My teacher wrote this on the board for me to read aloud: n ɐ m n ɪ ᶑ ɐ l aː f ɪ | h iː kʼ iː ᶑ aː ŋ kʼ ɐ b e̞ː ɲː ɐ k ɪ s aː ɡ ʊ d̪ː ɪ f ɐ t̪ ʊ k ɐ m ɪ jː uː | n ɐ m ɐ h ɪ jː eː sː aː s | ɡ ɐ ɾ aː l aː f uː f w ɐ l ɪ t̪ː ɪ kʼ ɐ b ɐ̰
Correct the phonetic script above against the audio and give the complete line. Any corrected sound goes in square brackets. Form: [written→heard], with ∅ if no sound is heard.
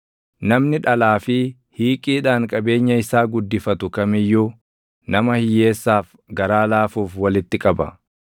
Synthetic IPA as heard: n ɐ m n ɪ ᶑ ɐ l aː f ɪ | h iː kʼ iː ᶑ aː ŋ kʼ ɐ b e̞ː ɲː ɐ [k→∅] ɪ s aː ɡ ʊ d̪ː ɪ f ɐ t̪ ʊ k ɐ m ɪ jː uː | n ɐ m ɐ h ɪ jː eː sː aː [s→f] | ɡ ɐ ɾ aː l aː f uː f w ɐ l ɪ t̪ː ɪ kʼ ɐ b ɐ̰